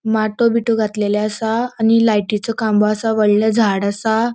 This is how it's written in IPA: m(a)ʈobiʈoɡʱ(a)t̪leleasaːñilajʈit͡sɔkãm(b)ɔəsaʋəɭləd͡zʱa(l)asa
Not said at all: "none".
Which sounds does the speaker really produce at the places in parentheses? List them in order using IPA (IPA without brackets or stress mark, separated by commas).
a, a, b, ɽ